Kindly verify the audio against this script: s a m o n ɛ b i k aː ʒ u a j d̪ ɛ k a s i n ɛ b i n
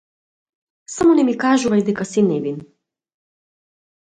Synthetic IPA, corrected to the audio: s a m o n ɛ m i k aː ʒ u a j d̪ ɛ k a s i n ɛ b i n